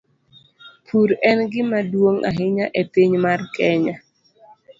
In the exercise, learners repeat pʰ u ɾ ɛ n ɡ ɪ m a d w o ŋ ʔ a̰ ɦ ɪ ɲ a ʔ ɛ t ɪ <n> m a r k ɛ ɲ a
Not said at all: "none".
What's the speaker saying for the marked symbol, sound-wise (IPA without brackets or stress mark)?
ɲ